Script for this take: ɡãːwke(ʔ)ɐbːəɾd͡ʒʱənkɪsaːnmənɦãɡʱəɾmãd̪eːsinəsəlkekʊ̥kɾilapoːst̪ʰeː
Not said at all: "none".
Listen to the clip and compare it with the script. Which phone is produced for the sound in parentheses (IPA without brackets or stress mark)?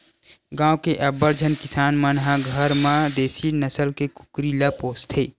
ʔ